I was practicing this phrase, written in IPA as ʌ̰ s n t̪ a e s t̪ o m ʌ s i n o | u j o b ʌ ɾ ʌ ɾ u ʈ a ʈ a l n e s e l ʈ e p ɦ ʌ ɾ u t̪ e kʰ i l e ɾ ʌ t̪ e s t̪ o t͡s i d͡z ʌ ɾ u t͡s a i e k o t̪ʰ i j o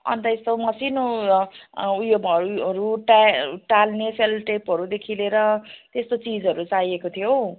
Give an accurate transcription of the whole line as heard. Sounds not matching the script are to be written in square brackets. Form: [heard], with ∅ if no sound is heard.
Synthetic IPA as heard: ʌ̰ [∅] n t̪ [ʌ] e s t̪ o m ʌ s i n o | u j o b ʌ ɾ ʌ ɾ u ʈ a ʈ a l n e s e l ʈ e p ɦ ʌ ɾ u [d̪] e kʰ i l e ɾ ʌ t̪ e s t̪ o t͡s i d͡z ʌ ɾ u t͡s a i e k o t̪ʰ i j o